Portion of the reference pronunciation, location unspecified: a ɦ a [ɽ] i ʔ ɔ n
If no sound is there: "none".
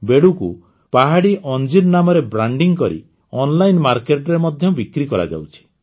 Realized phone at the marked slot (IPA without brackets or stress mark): ɽ